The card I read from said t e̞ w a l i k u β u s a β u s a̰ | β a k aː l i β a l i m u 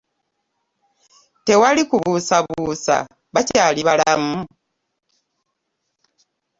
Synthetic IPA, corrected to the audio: t e̞ w a l i k u β u s a β u s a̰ | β a c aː l i β a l a m u